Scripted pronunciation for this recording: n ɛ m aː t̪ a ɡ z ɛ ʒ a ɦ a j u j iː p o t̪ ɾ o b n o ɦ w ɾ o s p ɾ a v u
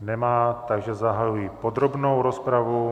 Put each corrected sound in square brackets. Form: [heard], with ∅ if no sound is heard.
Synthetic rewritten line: n ɛ m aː t̪ a ɡ [ʒ] ɛ [z] a ɦ a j u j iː p o [d̪] ɾ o b n o [∅] w ɾ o s p ɾ a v u